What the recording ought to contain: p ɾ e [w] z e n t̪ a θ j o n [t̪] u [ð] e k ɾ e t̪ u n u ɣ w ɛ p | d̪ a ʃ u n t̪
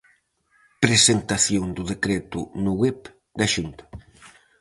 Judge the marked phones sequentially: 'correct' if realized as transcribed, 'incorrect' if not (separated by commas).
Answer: incorrect, incorrect, correct